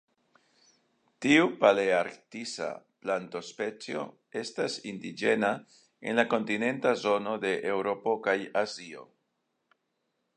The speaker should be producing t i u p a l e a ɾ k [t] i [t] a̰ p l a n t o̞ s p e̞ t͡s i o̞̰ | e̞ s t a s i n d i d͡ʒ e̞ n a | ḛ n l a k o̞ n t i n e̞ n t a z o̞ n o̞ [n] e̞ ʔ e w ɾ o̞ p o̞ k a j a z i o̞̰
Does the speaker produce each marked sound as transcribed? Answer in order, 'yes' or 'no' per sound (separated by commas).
yes, no, no